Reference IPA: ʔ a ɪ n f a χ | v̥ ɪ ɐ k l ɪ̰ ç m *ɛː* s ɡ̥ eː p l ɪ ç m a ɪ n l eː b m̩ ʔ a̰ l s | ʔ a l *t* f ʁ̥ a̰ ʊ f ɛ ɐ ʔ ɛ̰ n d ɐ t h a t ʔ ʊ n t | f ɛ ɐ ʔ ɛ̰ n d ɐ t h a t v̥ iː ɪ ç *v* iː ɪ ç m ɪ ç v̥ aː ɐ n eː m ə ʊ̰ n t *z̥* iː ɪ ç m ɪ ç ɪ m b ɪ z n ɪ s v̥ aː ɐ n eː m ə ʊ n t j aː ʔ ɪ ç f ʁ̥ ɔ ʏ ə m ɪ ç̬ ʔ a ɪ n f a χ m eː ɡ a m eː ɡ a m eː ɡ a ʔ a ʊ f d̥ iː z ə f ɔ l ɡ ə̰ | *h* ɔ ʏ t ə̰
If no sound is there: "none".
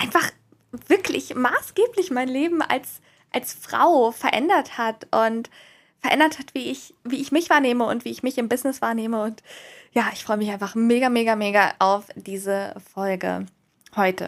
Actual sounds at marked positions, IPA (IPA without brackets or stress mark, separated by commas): aː, s, v, v̥, h